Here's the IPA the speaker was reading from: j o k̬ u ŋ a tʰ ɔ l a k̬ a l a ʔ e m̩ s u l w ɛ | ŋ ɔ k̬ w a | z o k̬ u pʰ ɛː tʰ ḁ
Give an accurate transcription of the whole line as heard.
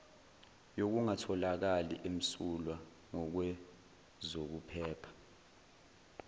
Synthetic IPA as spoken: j o k̬ u ŋ a tʰ ɔ l a k̬ a l i ʔ e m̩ s u l w a | ŋ ɔ k̬ w ɛ | z o k̬ u pʰ ɛː pʰ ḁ